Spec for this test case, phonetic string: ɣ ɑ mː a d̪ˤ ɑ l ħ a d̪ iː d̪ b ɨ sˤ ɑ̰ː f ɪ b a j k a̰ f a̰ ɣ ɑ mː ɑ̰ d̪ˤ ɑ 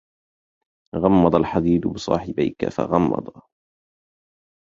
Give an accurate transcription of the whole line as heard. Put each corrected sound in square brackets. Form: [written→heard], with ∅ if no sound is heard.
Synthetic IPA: ɣ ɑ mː [a→ɑ] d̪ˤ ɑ l ħ a d̪ iː d̪ b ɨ sˤ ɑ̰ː [f→ħ] ɪ b a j k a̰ f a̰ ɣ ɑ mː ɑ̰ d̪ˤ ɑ